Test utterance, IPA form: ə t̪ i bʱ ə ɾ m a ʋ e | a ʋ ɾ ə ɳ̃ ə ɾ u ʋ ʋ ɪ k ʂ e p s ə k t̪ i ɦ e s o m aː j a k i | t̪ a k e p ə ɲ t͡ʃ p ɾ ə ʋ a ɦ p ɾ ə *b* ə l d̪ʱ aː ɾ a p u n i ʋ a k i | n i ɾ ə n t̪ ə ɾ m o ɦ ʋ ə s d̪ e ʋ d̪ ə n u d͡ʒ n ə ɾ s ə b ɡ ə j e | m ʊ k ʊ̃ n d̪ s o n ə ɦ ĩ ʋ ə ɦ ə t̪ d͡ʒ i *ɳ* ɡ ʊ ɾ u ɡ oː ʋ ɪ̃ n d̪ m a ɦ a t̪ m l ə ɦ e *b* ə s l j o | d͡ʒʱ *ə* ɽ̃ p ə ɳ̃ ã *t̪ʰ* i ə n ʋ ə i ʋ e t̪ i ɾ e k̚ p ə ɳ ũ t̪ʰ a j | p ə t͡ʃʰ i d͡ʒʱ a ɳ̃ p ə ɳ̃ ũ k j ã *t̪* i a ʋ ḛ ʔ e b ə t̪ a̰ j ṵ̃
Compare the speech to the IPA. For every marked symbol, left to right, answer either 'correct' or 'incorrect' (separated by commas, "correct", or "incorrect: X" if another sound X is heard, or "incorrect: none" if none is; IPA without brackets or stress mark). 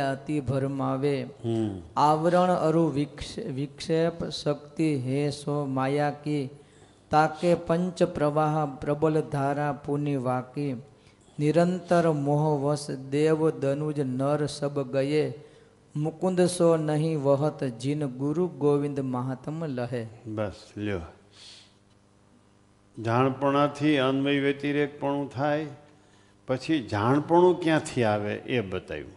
correct, incorrect: n, correct, incorrect: a, correct, incorrect: t̪ʰ